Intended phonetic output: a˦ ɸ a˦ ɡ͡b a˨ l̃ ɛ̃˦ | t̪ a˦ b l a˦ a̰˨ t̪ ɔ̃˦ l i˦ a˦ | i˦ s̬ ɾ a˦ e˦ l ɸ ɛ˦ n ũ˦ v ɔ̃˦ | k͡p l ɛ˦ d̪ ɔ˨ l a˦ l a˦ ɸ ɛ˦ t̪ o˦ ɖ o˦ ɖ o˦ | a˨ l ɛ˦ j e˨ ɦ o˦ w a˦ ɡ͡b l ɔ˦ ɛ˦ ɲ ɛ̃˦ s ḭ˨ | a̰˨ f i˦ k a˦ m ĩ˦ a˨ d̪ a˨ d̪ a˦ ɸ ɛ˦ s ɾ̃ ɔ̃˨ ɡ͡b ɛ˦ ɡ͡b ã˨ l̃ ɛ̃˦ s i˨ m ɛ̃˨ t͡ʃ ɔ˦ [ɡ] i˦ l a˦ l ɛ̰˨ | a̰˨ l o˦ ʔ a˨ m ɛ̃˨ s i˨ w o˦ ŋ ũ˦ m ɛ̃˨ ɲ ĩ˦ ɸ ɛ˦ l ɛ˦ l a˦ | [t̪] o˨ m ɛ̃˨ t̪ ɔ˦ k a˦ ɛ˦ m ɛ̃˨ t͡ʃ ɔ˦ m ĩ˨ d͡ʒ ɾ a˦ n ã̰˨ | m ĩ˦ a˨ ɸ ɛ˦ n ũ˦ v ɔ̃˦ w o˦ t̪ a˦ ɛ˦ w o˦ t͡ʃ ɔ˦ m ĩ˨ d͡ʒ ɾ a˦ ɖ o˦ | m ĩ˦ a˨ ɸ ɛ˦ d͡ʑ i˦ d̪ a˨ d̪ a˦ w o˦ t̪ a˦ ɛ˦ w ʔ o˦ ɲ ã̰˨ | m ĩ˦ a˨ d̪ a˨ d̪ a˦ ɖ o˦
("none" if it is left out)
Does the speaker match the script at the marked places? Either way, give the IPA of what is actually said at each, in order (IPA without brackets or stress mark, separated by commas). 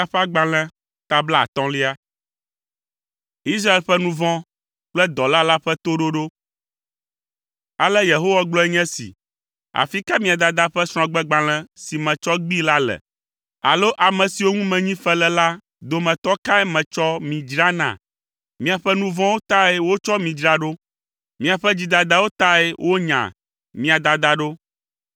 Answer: ɡ͡b, d̪